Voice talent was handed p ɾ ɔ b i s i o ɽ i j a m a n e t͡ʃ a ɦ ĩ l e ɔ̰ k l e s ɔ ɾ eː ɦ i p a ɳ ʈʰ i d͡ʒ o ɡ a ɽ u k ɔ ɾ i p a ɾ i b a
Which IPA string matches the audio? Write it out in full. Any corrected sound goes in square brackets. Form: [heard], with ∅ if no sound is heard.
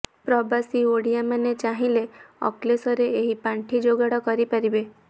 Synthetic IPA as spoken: p ɾ ɔ b [a] s i o ɽ i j a m a n e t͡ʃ a ɦ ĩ l e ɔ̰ k l e s ɔ ɾ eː ɦ i p a ɳ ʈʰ i d͡ʒ o ɡ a ɽ [ɔ] k ɔ ɾ i p a ɾ i b [e]